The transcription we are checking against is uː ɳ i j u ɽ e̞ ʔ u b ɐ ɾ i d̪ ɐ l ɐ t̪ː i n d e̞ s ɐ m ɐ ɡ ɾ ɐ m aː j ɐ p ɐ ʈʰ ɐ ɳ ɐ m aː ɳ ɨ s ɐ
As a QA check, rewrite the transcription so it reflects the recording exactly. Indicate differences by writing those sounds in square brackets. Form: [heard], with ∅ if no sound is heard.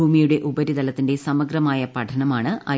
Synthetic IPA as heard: uː [m] i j u ɽ e̞ ʔ u b ɐ ɾ i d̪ ɐ l ɐ t̪ː i n d e̞ s ɐ m ɐ ɡ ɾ ɐ m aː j ɐ p ɐ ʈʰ ɐ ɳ ɐ m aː ɳ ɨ [∅] ɐ